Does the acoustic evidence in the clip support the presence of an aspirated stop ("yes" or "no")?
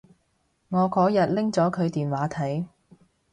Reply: yes